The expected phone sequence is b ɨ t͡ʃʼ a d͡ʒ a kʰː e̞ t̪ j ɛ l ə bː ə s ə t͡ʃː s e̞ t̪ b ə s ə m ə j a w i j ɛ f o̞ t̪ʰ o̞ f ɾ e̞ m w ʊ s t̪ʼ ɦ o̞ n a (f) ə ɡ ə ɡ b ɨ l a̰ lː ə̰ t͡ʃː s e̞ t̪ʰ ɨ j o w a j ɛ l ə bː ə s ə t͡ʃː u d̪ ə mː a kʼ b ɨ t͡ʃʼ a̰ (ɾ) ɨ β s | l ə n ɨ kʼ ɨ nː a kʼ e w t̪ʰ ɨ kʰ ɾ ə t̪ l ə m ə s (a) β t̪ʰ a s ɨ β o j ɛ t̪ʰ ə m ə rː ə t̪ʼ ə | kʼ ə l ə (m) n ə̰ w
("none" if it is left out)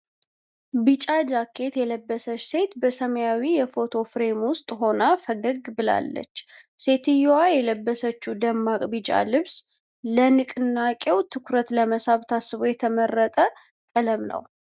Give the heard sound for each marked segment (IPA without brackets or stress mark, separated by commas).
f, l, a, m